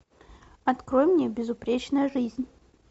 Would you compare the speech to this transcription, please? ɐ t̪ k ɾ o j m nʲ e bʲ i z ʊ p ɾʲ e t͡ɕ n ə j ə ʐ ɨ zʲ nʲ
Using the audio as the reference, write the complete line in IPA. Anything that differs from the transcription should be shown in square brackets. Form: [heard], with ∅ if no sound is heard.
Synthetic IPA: ɐ t̪ k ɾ o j m nʲ e bʲ [ɪ] z ʊ p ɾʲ e t͡ɕ n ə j ə ʐ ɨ zʲ nʲ